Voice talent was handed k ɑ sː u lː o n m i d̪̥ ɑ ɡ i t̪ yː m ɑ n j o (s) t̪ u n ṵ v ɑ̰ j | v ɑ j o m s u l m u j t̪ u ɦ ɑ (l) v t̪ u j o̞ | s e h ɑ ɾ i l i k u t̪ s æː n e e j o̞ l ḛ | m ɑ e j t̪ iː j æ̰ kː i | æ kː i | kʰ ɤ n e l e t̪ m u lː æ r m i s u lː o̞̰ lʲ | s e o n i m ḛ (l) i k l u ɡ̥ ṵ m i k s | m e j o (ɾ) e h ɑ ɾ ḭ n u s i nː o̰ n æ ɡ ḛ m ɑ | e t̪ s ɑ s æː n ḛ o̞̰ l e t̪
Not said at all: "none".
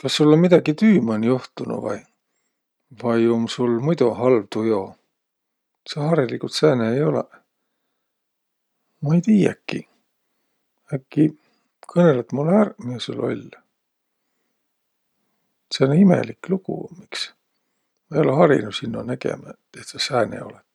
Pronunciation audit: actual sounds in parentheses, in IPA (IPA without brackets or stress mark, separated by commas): h, l, l, l